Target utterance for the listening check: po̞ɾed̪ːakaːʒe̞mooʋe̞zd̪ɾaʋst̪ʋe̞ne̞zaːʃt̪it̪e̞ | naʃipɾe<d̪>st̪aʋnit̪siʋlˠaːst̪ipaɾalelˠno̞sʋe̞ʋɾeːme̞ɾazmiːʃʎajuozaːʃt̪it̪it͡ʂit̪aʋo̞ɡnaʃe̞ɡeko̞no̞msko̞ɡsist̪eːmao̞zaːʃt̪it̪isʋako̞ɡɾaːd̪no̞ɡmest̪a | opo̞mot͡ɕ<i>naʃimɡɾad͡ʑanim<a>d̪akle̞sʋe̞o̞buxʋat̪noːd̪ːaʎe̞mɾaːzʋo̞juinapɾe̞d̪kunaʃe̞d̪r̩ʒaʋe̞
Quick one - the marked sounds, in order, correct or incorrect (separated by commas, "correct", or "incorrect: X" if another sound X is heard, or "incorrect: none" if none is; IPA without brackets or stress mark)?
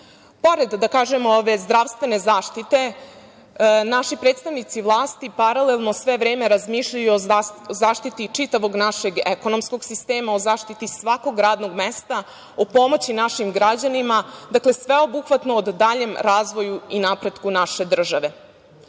incorrect: t̪, correct, correct